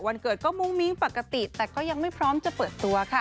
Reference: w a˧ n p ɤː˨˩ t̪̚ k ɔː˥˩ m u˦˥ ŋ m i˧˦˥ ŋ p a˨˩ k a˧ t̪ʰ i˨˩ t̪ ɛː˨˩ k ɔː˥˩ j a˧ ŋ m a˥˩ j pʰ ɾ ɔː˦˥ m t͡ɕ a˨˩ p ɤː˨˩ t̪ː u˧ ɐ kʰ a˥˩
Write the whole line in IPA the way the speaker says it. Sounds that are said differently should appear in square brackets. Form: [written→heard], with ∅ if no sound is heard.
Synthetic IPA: w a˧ n [p→k] ɤː˨˩ t̪̚ k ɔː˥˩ m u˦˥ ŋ m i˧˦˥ ŋ p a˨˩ k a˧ [t̪ʰ→t̪] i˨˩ t̪ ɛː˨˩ k ɔː˥˩ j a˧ ŋ m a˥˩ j pʰ ɾ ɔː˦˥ m t͡ɕ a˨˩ p ɤː˨˩ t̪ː u˧ ɐ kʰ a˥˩